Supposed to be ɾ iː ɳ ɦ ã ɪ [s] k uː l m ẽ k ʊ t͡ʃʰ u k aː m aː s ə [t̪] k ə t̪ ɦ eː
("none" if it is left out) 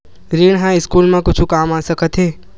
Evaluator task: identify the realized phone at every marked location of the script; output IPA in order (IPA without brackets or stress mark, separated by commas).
s, none